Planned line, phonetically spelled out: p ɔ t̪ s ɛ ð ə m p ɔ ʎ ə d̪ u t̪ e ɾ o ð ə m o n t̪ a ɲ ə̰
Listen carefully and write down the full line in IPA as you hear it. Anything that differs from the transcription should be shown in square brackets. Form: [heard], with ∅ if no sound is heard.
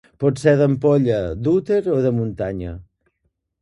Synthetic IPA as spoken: p ɔ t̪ s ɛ ð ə m p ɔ ʎ ə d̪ u t̪ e ɾ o ð ə m [u] n t̪ a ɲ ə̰